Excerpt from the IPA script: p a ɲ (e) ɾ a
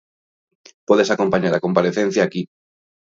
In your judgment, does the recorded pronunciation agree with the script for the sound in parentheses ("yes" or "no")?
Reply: no